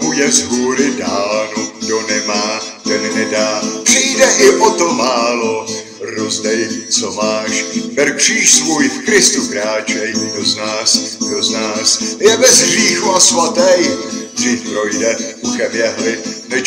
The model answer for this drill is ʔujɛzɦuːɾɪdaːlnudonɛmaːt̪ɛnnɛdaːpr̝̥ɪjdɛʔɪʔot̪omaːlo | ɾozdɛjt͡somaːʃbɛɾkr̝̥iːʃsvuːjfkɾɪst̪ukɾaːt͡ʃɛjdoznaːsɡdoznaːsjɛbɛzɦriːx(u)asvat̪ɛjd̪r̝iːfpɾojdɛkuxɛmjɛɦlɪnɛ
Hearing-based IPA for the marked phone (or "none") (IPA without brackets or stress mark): u